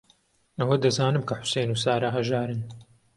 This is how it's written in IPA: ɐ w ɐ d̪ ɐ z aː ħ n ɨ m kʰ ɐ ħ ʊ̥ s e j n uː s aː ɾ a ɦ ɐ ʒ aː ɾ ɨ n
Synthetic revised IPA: ɐ w ɐ d̪ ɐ z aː n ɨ m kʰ ɐ ħ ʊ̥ s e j n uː s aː ɾ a ɦ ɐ ʒ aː ɾ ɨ n

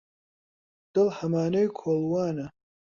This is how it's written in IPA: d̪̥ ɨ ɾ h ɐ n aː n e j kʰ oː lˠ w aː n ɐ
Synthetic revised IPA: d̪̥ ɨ l h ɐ m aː n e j kʰ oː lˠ w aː n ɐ

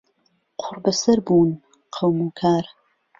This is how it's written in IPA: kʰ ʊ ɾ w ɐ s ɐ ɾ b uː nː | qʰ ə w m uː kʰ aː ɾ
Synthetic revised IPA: qʰ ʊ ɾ b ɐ s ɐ ɾ b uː n | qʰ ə w m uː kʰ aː ɾ

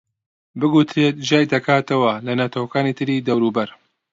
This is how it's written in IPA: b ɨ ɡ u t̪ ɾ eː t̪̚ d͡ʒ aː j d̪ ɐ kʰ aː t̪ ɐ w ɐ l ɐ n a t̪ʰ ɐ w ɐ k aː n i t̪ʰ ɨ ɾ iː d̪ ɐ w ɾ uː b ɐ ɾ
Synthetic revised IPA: b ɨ ɡ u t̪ ɾ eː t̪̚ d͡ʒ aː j d̪ ɐ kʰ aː t̪ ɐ w ɐ l ɐ n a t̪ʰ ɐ w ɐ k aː n i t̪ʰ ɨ ɾ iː d̪ ɐ w ɾ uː b ɐ ɾ

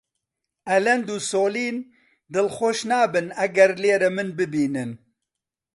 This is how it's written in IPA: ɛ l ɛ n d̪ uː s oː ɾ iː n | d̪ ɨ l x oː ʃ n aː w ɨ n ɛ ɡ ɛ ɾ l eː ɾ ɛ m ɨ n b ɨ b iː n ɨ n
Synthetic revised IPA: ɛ l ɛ n d̪ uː s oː l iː n | d̪ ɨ l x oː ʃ n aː b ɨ n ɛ ɡ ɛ ɾ l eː ɾ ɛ m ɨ n b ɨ b iː n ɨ n

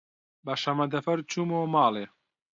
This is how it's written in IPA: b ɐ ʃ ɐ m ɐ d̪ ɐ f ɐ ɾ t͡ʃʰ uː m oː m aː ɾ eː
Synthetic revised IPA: b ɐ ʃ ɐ m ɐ d̪ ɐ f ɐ ɾ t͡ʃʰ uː m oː m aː l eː

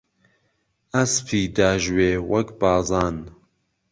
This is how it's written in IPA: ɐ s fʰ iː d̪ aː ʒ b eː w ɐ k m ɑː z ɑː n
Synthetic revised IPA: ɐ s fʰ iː d̪ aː ʒ w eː w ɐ k b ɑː z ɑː n

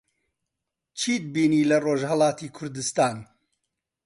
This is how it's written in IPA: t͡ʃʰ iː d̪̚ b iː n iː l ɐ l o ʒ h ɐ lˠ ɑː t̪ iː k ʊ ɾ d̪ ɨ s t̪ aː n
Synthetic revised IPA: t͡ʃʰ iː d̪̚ b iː n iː l ɐ r o ʒ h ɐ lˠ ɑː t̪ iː kʰ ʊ ɾ d̪ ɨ s t̪ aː n

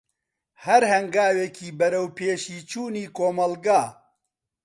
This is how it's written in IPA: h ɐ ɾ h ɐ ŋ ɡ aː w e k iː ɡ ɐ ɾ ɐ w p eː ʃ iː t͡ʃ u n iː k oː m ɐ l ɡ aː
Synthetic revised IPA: h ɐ ɾ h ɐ ŋ ɡ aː w e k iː b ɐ ɾ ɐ w p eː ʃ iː t͡ʃ uː n iː k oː m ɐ l ɡ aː

